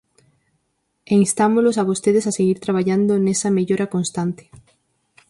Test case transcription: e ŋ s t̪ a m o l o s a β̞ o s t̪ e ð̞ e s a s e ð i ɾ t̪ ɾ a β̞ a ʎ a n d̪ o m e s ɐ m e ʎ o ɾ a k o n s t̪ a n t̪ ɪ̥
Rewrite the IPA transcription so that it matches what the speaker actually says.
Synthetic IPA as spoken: e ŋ s t̪ a m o l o s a β̞ o s t̪ e ð̞ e s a s e ɣ i ɾ t̪ ɾ a β̞ a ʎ a n d̪ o n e s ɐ m e ʎ o ɾ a k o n s t̪ a n t̪ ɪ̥